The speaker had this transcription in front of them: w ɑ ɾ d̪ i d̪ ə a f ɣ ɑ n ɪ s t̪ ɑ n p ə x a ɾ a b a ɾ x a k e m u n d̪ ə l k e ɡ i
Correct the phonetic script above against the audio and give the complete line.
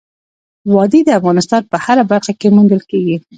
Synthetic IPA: w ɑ d̪ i d̪ ə a f ɣ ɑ n ɪ s t̪ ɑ n p ə h a ɾ a b a ɾ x a k e m u n d̪ ə l k e ɡ i